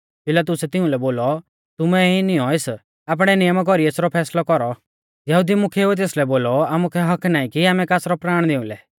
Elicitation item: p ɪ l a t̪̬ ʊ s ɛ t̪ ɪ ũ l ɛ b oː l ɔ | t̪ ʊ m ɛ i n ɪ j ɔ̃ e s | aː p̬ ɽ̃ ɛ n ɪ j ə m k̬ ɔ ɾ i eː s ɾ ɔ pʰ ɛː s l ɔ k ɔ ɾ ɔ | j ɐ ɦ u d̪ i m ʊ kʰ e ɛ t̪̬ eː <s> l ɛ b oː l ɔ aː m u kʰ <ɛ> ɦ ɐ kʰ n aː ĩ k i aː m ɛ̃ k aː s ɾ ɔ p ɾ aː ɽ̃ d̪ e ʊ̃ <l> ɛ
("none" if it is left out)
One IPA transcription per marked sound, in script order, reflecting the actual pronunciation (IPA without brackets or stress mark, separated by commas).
s, ɛ, l